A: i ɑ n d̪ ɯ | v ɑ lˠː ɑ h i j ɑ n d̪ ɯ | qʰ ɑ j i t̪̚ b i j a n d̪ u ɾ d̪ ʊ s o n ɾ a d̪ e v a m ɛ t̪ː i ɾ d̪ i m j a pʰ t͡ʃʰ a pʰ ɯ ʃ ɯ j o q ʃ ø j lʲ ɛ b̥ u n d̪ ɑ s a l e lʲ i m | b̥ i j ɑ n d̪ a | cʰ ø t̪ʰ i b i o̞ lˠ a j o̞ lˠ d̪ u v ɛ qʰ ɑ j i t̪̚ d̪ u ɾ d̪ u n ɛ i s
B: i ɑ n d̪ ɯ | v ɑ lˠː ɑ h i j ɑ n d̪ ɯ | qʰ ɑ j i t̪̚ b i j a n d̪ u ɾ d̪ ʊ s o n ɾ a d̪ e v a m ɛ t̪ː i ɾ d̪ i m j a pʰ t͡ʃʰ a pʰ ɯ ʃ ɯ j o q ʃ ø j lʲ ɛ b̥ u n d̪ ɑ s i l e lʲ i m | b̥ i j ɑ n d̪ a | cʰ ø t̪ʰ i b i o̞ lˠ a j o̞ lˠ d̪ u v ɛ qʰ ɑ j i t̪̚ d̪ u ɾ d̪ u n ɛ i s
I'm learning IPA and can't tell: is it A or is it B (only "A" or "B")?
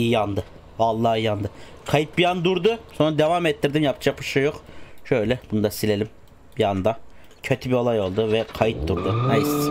B